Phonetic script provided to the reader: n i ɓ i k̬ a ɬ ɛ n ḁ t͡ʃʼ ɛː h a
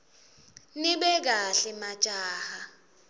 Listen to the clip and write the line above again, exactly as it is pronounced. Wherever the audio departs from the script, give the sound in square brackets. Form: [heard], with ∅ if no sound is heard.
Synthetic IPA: n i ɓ [ɛ] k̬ a ɬ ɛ [m] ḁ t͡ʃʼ [aː] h a